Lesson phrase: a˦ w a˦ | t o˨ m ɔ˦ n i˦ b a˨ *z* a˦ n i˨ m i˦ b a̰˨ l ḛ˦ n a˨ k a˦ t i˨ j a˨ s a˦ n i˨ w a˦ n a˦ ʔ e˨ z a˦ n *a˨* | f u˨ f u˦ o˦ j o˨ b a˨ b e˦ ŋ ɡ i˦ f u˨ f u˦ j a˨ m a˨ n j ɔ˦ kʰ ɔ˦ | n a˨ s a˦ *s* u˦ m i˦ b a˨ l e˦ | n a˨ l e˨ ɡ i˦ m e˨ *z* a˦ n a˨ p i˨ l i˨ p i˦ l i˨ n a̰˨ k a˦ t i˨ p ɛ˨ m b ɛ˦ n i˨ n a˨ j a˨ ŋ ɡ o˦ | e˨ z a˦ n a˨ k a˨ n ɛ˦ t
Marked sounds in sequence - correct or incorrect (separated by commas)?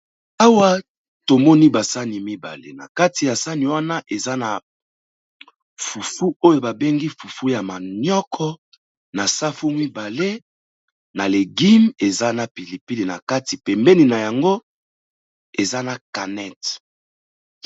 incorrect, correct, incorrect, correct